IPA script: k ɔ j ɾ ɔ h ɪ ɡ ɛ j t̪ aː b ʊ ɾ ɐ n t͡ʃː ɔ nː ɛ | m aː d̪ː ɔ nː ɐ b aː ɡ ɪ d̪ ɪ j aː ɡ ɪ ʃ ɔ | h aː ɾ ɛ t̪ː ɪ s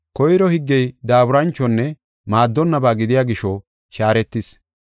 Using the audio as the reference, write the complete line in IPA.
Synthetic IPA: k ɔ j ɾ ɔ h ɪ ɡː ɛ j d̪ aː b ʊ ɾ ɐ n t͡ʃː ɔ nː ɛ | m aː d̪ː ɔ nː ɐ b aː ɡ ɪ d̪ ɪ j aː ɡ ɪ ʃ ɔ | ʃ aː ɾ ɛ t̪ː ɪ s